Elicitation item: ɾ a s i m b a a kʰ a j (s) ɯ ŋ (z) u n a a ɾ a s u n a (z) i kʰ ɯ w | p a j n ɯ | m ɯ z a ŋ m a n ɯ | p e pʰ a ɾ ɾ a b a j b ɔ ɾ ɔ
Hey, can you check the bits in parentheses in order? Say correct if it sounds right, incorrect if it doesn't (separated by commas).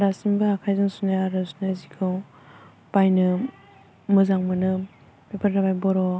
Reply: incorrect, incorrect, correct